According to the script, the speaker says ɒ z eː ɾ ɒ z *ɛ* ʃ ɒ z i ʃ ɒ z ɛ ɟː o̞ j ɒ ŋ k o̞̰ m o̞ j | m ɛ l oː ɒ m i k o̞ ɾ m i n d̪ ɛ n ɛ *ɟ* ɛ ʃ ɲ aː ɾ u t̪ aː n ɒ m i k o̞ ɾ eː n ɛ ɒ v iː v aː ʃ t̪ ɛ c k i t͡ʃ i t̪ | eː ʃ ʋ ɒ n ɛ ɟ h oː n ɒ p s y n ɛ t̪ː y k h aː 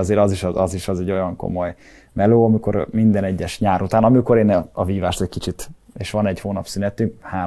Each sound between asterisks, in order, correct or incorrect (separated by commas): incorrect, incorrect